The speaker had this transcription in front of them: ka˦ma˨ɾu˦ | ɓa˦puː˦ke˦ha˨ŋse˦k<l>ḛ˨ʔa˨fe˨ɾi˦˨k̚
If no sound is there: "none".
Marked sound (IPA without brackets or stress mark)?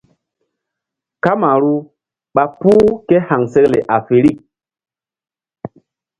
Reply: l